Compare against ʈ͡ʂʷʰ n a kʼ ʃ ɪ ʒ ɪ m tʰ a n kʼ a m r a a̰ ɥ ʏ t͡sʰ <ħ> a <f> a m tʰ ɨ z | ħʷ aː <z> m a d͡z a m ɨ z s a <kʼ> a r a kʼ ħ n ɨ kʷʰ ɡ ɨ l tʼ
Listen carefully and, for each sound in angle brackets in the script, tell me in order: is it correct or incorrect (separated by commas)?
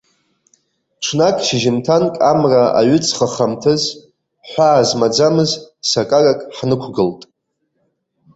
incorrect, incorrect, correct, correct